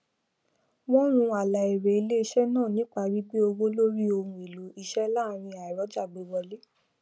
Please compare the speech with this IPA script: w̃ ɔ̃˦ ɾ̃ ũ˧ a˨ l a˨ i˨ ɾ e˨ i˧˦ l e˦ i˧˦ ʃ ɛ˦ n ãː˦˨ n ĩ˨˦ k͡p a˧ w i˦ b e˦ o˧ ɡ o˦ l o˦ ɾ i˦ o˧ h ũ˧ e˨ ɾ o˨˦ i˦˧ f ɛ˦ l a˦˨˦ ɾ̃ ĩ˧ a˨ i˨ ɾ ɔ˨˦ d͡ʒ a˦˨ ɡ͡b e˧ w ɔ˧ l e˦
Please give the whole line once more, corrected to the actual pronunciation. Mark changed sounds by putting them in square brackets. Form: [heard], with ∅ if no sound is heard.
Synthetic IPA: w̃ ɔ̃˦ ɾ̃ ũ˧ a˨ l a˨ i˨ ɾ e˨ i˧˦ l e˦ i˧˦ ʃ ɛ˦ n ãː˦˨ n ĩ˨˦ k͡p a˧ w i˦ [ɡ͡b] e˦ o˧ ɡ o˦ l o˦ ɾ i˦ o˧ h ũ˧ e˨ [l] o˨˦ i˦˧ [ʃ] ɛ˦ l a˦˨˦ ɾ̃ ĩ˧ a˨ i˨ ɾ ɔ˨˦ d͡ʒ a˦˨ ɡ͡b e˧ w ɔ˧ l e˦